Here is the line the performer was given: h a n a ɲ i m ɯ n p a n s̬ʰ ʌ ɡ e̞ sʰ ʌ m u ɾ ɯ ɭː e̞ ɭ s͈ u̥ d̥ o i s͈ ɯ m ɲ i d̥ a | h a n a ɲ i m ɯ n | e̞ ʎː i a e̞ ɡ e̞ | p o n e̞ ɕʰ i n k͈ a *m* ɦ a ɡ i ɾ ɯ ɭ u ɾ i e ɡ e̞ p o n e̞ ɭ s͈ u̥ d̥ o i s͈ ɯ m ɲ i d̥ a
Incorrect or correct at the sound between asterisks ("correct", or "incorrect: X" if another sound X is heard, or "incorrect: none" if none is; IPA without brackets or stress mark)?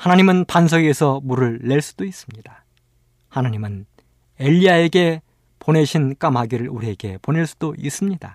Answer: correct